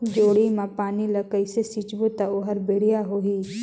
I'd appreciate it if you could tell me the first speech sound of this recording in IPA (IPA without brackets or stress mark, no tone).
d͡ʒ